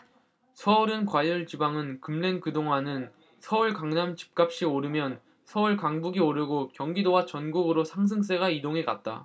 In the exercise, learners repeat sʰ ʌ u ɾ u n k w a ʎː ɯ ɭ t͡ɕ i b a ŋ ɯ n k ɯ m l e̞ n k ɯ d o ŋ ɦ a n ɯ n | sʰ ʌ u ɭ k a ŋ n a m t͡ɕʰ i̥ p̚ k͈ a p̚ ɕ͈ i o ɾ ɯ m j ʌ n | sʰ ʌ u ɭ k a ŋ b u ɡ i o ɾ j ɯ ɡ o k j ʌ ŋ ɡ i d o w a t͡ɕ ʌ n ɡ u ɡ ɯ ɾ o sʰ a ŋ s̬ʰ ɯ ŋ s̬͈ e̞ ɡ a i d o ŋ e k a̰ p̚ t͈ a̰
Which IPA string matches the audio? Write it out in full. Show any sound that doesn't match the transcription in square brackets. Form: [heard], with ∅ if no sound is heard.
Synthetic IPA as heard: sʰ ʌ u ɾ [ɯ] n k w a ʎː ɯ ɭ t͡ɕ i b a ŋ ɯ n k ɯ m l e̞ n k ɯ d o ŋ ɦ a n ɯ n | sʰ ʌ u ɭ k a ŋ n a m [t͡ɕ] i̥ p̚ k͈ a p̚ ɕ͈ i o ɾ ɯ m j ʌ n | sʰ ʌ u ɭ k a ŋ b u ɡ i o ɾ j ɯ ɡ o k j ʌ ŋ ɡ i d o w a t͡ɕ ʌ n ɡ u ɡ ɯ ɾ o sʰ a ŋ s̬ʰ ɯ ŋ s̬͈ e̞ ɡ a i d o ŋ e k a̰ [t̚] t͈ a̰